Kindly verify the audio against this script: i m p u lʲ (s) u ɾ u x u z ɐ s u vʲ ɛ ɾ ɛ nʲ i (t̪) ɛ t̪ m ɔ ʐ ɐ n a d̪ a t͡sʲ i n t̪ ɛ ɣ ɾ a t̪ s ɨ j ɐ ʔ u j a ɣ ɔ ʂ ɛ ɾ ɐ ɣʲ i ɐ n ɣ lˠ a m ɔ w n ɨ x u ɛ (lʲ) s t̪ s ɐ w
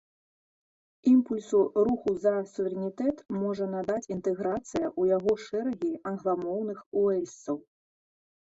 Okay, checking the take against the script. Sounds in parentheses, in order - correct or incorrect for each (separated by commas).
correct, correct, correct